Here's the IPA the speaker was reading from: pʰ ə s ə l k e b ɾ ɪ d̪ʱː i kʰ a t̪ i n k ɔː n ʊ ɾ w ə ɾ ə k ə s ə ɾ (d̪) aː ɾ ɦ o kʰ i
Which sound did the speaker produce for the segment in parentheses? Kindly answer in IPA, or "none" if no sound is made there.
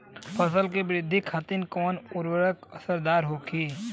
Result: d̪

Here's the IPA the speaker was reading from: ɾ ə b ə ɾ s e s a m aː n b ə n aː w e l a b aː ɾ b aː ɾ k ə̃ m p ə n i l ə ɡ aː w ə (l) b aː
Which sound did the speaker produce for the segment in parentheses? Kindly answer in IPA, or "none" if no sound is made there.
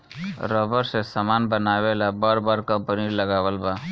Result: l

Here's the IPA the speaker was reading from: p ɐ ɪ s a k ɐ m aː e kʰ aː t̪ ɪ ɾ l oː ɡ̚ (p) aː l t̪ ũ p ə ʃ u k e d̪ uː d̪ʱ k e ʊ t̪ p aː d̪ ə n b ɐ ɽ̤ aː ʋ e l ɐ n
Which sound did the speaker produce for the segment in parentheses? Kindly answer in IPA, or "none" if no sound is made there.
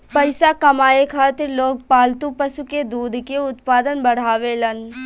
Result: p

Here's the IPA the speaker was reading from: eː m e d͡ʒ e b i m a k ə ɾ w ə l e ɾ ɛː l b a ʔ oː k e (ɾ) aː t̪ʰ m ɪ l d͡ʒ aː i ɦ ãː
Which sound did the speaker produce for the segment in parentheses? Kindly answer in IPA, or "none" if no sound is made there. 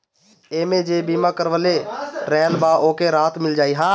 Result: ɾ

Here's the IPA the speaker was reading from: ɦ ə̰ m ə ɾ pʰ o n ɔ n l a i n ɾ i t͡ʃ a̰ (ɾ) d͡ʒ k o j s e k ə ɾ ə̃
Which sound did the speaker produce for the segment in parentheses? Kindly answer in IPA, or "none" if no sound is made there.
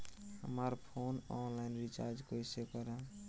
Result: ɾ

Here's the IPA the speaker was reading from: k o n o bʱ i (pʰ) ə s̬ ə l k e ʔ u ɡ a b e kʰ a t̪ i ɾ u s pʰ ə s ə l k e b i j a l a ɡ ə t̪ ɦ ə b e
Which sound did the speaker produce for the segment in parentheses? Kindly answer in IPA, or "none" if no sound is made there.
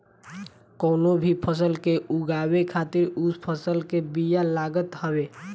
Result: pʰ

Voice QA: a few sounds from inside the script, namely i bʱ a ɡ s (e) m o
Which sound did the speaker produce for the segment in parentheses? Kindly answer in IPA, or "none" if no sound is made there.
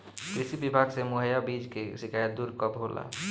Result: e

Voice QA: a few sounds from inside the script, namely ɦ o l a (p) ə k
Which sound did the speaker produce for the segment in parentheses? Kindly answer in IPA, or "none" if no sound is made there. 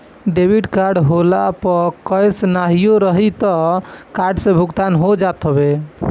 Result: p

